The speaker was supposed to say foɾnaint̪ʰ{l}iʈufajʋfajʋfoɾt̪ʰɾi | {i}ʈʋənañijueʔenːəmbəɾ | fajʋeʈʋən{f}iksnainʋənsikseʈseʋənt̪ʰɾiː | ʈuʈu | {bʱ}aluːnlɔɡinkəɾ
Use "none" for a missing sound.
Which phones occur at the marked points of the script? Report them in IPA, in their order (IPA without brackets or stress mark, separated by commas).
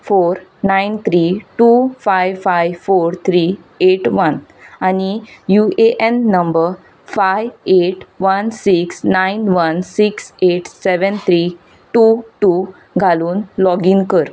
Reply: ɾ, e, s, ɡʱ